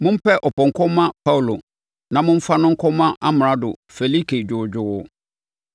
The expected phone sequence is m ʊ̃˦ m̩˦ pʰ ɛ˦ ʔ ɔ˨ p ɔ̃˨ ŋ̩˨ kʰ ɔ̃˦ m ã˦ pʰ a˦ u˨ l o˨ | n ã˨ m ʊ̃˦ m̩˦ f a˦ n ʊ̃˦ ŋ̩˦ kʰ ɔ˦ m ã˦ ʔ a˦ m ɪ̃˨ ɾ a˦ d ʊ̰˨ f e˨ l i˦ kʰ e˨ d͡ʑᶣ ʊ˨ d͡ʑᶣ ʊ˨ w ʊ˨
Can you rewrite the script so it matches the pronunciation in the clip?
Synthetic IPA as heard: m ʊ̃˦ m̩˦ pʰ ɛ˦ ʔ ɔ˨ p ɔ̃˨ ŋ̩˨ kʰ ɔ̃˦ m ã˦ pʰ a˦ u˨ l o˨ | n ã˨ m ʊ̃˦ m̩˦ f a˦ n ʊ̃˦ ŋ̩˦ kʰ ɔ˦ m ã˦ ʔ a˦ m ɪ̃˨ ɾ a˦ d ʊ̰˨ f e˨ l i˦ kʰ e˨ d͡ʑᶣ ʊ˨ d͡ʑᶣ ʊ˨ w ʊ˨